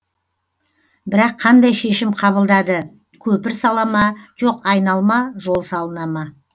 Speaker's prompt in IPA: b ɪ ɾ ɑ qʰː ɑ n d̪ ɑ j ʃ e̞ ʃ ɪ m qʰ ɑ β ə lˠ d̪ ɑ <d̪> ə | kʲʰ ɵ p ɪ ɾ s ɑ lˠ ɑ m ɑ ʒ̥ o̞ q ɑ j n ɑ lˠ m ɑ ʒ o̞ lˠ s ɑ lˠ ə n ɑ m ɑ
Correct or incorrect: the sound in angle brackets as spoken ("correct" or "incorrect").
correct